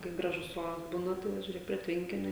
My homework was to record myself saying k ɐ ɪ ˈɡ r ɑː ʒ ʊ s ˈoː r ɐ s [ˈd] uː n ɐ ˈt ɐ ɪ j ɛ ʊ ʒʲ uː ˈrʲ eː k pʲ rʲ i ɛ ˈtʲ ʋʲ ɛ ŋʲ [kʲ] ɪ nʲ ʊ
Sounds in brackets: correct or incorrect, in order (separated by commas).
incorrect, correct